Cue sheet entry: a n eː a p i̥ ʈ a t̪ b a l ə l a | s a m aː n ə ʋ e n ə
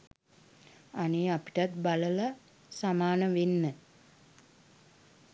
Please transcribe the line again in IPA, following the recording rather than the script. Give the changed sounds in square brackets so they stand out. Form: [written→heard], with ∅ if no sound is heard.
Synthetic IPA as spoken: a n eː a p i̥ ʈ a t̪ b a l ə l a | s a m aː n ə ʋ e [n→nː] ə